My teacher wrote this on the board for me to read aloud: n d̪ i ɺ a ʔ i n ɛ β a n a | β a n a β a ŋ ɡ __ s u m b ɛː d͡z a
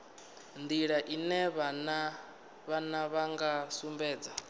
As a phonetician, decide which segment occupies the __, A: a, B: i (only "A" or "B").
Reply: A